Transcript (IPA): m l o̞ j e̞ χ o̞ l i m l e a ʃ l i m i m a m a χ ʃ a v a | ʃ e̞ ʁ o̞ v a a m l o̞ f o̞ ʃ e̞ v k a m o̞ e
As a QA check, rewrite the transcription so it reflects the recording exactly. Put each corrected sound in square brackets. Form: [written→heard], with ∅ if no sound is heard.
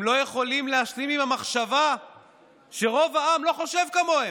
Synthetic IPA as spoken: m l o̞ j e̞ χ o̞ l i m l e a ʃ l i m i m a m a χ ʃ a v a | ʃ e̞ ʁ o̞ v a a m l o̞ [f→χ] o̞ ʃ e̞ v k a m o̞ e